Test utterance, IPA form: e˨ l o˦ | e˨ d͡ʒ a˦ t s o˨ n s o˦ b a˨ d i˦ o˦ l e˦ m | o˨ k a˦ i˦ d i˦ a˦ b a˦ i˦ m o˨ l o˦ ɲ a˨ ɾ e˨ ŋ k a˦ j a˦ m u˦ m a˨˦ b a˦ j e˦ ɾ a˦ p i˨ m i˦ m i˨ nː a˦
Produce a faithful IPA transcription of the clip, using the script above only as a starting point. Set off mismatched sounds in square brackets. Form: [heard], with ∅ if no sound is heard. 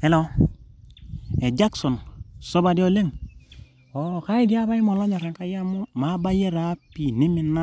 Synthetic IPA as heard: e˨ l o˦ | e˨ d͡ʒ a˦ [k] s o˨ n s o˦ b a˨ d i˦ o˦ l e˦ [ŋ] | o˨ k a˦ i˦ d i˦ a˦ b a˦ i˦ m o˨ l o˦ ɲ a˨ ɾ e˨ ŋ k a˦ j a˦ m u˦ m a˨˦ b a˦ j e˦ ɾ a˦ p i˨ [n] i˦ m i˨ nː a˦